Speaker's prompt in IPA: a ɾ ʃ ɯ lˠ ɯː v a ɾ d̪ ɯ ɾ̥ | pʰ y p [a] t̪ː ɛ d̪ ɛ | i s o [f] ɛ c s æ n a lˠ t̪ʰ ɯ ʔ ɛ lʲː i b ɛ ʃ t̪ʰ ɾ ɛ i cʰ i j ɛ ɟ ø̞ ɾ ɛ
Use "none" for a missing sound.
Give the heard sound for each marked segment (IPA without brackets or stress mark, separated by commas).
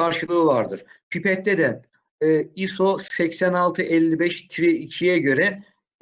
ɛ, s